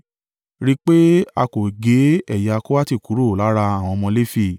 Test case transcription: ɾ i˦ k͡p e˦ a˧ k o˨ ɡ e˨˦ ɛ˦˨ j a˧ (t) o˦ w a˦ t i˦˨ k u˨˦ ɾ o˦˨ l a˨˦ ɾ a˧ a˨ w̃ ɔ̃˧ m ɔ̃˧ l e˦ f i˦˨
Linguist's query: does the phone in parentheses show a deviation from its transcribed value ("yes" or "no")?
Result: yes